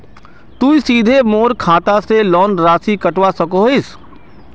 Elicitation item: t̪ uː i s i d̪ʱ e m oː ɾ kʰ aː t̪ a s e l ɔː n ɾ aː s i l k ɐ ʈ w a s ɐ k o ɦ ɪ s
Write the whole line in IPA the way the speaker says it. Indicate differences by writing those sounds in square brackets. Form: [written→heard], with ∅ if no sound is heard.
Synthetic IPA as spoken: t̪ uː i s [i→iː] d̪ʱ e m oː ɾ kʰ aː t̪ a s e l ɔː n ɾ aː s i [l→∅] k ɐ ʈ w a s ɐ k o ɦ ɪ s